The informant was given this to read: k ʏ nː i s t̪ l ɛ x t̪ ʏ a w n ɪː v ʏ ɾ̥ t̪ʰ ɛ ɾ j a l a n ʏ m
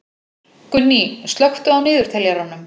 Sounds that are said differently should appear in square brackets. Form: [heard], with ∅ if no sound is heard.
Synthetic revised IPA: k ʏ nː i s t̪ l [œ] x t̪ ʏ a w n ɪː [ð] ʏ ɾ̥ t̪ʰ ɛ [l] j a [ɾ] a n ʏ m